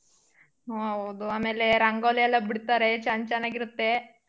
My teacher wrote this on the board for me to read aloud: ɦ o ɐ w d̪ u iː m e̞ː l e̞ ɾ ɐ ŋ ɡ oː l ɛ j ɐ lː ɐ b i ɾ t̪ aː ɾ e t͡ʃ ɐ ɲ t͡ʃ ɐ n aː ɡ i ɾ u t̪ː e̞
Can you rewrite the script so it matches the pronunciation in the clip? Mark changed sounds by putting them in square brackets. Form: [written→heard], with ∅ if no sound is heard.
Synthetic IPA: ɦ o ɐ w d̪ u [iː→aː] m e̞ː l e̞ ɾ ɐ ŋ ɡ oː l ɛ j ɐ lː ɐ b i [ɾ→ɽ] t̪ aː ɾ e t͡ʃ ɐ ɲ t͡ʃ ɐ n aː ɡ i ɾ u t̪ː e̞

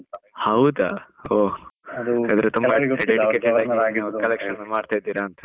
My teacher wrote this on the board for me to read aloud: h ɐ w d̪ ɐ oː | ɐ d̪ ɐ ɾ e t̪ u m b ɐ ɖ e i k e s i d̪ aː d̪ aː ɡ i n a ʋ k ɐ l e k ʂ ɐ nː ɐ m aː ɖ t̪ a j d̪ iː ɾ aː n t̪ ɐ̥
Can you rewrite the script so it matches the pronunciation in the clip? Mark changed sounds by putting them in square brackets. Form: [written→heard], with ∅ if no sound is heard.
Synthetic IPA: h ɐ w d̪ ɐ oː | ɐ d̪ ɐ ɾ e t̪ u m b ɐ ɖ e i k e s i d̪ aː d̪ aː ɡ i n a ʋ k ɐ l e k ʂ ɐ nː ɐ m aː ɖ t̪ a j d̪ iː ɾ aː n t̪ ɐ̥

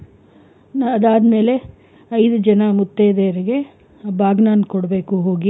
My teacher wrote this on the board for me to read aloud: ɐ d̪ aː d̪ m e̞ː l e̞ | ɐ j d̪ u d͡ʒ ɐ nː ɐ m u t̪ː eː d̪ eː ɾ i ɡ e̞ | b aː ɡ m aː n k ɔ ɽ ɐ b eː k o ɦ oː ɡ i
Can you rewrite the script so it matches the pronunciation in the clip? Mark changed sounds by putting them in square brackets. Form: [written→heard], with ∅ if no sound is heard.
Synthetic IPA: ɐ d̪ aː d̪ m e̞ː l e̞ | ɐ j d̪ u d͡ʒ ɐ [nː→n] ɐ m u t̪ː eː d̪ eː ɾ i ɡ e̞ | b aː ɡ [m→n] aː n k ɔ ɽ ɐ b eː k [o→u] ɦ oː ɡ i

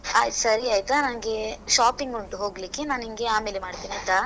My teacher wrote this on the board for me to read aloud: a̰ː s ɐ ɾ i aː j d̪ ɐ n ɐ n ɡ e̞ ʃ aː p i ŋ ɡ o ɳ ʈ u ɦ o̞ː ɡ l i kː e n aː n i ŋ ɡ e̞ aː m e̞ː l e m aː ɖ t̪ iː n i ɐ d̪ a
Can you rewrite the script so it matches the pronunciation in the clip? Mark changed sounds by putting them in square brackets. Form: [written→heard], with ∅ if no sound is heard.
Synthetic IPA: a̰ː s ɐ ɾ i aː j [d̪→t̪] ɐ n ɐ n ɡ e̞ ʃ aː p i ŋ ɡ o ɳ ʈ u ɦ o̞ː ɡ l i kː e n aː n i ŋ ɡ e̞ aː m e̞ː l e m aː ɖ t̪ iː n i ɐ [d̪→t̪] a

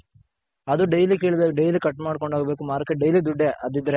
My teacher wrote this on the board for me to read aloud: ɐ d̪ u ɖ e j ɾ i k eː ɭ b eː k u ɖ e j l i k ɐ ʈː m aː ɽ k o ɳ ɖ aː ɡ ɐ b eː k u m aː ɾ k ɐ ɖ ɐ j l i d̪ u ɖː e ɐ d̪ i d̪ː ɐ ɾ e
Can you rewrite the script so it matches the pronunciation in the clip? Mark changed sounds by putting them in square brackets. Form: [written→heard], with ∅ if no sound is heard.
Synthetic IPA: ɐ d̪ u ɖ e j [ɾ→l] i k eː ɭ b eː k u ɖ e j l i k ɐ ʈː m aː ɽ k o ɳ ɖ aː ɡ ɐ b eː k u m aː ɾ k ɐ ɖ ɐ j l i d̪ u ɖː e ɐ d̪ i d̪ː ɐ ɾ e

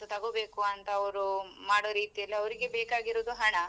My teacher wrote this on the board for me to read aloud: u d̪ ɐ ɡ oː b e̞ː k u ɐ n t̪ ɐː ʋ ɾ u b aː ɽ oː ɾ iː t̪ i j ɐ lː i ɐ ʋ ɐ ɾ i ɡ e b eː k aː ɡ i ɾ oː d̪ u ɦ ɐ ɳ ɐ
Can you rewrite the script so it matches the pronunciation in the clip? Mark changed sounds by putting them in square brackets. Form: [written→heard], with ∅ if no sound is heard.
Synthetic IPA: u [d̪→t̪] ɐ ɡ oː b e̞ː k u ɐ n t̪ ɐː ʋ ɾ u [b→m] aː ɽ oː ɾ iː t̪ i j ɐ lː i ɐ ʋ ɐ ɾ i ɡ e b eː k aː ɡ i ɾ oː d̪ u ɦ ɐ ɳ ɐ

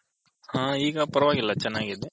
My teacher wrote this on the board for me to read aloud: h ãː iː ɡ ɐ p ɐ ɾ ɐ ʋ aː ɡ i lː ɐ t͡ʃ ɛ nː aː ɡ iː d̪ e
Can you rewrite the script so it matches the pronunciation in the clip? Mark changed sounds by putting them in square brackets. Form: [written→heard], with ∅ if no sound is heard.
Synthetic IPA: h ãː iː ɡ ɐ p ɐ ɾ ɐ ʋ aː ɡ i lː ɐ t͡ʃ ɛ nː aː ɡ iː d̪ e

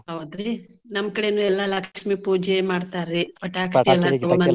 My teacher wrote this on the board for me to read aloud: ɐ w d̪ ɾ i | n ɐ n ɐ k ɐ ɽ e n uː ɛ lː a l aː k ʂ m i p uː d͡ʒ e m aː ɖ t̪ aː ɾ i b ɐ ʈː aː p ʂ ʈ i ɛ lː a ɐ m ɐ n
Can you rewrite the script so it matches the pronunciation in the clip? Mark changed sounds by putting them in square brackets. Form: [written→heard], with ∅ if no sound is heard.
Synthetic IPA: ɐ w d̪ ɾ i | n ɐ [n→m] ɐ k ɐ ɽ e n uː ɛ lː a l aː k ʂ m i p uː d͡ʒ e m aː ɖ t̪ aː ɾ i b ɐ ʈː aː [p→k] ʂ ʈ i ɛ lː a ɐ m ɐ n

